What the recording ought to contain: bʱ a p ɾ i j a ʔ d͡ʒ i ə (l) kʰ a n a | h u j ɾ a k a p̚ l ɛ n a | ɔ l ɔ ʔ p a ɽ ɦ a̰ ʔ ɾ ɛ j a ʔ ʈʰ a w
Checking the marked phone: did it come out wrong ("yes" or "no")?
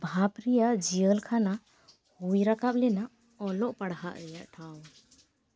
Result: no